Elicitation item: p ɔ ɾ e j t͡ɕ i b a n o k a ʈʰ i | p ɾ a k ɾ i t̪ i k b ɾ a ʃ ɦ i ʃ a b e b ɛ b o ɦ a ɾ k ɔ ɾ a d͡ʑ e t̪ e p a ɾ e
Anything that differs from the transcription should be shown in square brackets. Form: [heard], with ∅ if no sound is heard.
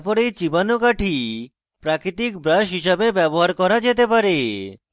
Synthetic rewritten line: p ɔ ɾ e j t͡ɕ i b a n o k a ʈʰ i | p ɾ a k ɾ i t̪ i k b ɾ a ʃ ɦ i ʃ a b e b ɛ b o ɦ a ɾ k ɔ ɾ a d͡ʑ e t̪ e p a ɾ e